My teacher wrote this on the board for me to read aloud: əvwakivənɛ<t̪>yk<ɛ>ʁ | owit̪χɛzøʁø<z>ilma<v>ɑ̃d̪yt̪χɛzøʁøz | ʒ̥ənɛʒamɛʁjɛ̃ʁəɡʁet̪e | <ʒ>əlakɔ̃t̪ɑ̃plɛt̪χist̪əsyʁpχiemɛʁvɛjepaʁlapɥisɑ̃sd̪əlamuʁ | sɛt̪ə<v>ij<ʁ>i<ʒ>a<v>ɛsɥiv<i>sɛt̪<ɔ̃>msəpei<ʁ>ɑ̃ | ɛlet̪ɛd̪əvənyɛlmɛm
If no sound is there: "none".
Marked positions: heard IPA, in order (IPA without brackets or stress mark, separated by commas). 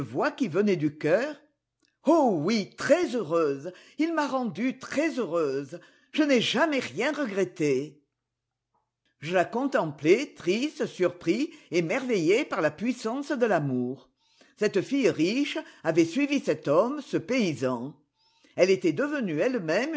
d̪, œ, z, ʁ, ʒ, f, ʁ, ʃ, v, i, ɔ, z